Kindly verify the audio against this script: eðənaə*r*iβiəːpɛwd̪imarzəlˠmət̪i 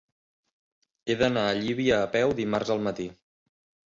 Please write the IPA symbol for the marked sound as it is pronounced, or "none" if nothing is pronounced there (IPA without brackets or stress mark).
ʎ